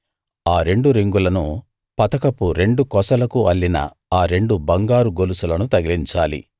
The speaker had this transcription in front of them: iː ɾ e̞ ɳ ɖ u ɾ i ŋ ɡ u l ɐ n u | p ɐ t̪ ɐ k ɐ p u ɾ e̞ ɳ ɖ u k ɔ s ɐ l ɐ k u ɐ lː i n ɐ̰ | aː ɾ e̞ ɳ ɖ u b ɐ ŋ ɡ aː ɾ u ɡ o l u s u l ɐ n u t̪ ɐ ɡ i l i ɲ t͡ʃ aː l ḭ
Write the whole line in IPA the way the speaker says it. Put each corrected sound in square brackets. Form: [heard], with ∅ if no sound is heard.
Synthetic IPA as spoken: [aː] ɾ e̞ ɳ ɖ u ɾ i ŋ ɡ u l ɐ n u | p ɐ t̪ ɐ k ɐ p u ɾ e̞ ɳ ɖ u k ɔ s ɐ l ɐ k u ɐ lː i n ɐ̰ | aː ɾ e̞ ɳ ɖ u b ɐ ŋ ɡ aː ɾ u ɡ o l u s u l ɐ n u t̪ ɐ ɡ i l i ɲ t͡ʃ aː l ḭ